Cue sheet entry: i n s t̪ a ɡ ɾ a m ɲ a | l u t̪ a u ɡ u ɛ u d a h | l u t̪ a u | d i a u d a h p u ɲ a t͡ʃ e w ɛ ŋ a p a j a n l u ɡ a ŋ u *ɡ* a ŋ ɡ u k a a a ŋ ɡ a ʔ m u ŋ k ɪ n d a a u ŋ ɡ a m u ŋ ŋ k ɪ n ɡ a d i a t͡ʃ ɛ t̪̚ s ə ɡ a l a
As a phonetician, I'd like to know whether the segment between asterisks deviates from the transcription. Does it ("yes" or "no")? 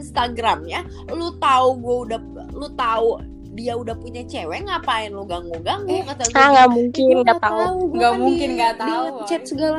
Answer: no